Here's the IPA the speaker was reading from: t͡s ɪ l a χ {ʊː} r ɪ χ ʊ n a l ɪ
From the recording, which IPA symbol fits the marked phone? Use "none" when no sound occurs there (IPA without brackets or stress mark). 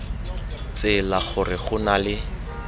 ʊ